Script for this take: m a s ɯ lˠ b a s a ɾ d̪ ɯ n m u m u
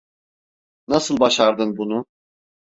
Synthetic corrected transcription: n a s ɯ lˠ b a ʃ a ɾ d̪ ɯ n b u n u